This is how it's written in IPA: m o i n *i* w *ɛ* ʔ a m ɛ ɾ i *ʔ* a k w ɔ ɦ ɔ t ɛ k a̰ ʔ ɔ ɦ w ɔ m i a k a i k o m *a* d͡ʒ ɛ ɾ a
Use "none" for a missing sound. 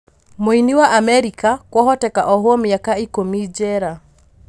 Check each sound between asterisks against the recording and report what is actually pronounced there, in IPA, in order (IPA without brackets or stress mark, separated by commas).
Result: i, a, k, i